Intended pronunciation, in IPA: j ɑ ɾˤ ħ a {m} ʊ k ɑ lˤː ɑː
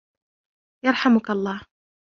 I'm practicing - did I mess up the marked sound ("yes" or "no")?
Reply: no